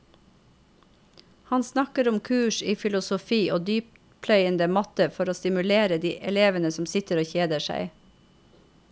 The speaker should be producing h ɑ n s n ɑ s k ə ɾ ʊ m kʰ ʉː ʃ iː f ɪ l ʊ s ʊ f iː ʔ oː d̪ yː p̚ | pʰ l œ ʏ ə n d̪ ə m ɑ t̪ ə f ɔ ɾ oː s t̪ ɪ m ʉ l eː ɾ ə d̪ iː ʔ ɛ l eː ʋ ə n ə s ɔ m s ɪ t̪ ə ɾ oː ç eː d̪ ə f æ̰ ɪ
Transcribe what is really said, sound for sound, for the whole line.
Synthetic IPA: h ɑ n s n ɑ k ə ɾ ʊ m kʰ ʉː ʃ iː f ɪ l ʊ s ʊ f iː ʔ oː d̪ yː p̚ | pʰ l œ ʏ ə n d̪ ə m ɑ t̪ ə f ɔ ɾ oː s t̪ ɪ m ʉ l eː ɾ ə d̪ iː ʔ ɛ l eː ʋ ə n ə s ɔ m s ɪ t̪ ə ɾ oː ç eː d̪ ə ʃ æ̰ ɪ